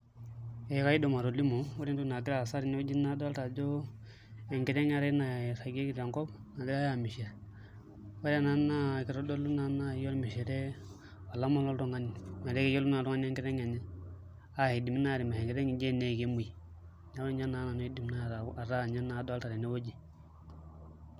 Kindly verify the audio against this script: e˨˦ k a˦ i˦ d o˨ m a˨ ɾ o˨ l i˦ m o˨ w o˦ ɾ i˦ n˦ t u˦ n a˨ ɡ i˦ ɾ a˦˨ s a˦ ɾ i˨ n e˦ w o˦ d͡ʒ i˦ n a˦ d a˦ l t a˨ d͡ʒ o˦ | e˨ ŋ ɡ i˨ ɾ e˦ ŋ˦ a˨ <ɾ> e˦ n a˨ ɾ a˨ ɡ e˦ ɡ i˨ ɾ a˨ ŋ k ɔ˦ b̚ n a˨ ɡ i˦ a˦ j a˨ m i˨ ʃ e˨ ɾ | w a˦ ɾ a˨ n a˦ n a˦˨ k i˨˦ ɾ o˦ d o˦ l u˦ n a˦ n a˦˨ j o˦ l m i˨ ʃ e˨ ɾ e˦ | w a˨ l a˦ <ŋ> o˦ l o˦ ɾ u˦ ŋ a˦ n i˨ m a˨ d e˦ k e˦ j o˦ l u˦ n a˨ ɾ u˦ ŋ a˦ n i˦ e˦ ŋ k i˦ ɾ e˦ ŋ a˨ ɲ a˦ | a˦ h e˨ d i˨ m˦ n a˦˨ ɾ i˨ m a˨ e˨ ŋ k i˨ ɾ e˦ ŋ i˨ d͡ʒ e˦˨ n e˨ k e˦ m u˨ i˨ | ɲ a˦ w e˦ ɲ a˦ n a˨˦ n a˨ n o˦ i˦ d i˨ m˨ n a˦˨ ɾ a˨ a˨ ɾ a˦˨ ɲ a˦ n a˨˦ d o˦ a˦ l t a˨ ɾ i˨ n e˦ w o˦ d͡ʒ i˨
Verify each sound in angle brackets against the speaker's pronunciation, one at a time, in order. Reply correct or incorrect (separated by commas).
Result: correct, incorrect